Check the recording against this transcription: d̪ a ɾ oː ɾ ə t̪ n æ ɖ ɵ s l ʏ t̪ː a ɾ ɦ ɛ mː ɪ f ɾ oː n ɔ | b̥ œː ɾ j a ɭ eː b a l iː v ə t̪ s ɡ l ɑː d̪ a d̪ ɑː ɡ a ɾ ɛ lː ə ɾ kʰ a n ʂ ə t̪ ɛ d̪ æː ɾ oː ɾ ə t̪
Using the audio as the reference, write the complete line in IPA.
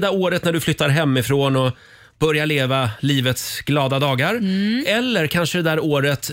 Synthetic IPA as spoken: d̪ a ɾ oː ɾ ə t̪ n æ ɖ ɵ f l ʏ t̪ː a ɾ ɦ ɛ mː ɪ f ɾ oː n ɔ | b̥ œ ɾ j a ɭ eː v a l iː v ə t̪ s ɡ l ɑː d̪ a d̪ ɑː ɡ a ɾ ɛ lː ə ɾ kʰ a n ʂ ə d̪ ɛ d̪ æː ɾ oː ɾ ə t̪